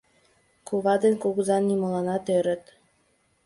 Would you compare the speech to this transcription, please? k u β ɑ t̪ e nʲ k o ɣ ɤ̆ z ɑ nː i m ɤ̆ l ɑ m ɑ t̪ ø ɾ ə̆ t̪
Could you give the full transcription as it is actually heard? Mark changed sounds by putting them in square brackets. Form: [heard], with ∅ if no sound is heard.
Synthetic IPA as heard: k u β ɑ [d̪] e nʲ k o ɣ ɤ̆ z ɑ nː i m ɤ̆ l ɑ [n] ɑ t̪ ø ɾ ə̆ t̪